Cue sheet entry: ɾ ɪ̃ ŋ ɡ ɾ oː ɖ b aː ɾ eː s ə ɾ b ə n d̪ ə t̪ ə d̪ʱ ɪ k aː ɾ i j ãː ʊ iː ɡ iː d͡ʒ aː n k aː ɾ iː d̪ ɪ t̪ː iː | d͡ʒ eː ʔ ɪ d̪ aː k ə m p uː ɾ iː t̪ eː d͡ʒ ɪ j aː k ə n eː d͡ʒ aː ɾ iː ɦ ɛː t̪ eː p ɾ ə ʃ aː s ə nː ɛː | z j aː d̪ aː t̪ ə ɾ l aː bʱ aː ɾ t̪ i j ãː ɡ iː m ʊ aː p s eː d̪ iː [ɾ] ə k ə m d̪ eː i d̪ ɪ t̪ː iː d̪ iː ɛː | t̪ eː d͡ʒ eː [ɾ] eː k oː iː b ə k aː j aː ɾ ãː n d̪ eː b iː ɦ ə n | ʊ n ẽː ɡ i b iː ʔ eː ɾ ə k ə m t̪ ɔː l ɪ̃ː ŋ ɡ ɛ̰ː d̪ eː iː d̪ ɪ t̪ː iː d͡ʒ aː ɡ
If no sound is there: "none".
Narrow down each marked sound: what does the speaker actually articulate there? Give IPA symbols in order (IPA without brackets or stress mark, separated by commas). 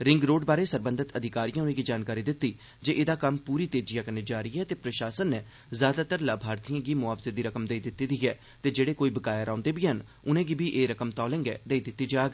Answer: ɾ, ɽ